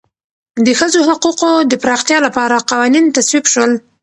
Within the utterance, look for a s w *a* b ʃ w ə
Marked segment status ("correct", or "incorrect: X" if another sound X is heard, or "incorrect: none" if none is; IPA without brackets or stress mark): incorrect: i